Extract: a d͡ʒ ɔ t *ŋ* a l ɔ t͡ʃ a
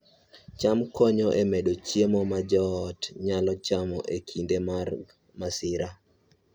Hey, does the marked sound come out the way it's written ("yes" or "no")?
no